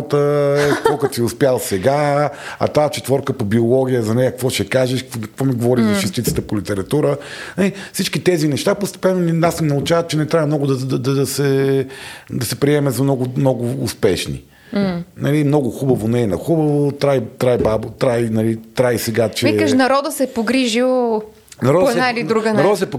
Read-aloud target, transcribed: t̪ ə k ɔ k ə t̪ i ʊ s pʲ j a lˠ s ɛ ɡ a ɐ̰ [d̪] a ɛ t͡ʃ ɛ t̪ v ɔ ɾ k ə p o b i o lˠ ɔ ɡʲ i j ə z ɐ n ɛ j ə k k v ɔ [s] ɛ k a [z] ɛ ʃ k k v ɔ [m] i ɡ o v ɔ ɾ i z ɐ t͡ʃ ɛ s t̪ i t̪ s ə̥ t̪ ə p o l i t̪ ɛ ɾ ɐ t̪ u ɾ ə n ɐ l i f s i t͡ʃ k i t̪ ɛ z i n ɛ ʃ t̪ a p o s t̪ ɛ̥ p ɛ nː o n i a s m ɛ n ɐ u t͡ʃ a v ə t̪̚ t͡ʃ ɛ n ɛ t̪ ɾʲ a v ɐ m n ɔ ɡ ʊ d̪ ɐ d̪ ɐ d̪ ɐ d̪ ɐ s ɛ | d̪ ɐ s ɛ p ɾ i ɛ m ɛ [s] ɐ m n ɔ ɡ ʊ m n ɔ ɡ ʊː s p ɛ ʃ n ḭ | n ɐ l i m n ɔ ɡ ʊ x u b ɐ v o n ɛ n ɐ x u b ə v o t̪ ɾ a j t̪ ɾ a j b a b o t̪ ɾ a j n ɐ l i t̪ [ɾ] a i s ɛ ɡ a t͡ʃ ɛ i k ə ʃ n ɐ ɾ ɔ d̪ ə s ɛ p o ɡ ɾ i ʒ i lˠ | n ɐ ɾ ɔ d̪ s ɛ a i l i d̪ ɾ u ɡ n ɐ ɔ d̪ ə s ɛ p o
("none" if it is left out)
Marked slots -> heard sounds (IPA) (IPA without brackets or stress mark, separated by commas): t̪, ʃ, ʒ, m, z, ɾ